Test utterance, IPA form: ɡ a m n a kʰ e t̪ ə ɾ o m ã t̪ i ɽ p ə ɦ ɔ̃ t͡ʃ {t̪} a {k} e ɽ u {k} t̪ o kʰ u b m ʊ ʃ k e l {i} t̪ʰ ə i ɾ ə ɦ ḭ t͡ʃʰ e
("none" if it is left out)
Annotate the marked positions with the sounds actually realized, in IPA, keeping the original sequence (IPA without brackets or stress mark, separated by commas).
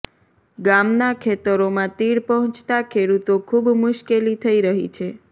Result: t̪, kʰ, none, i